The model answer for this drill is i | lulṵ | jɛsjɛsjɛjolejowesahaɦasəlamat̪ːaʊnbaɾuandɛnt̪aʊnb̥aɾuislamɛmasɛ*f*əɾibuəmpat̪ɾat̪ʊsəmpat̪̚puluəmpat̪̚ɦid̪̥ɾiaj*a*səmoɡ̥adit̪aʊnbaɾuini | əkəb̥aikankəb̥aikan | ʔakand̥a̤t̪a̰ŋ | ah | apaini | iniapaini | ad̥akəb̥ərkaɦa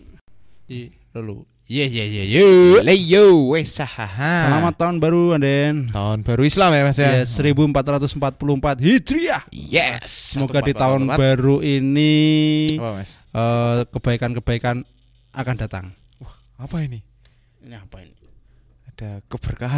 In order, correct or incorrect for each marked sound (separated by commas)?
incorrect, incorrect